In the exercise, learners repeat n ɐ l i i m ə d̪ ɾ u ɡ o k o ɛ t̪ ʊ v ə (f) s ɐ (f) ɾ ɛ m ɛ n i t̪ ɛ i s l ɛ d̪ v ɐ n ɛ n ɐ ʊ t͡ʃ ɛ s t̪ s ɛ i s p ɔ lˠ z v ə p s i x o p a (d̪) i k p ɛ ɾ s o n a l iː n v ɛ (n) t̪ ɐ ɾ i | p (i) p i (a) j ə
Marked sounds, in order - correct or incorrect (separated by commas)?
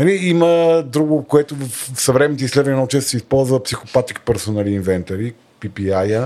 correct, incorrect, incorrect, correct, correct, correct